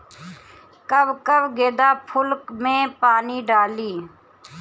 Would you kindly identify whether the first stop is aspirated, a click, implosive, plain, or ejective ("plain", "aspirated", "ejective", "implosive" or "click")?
plain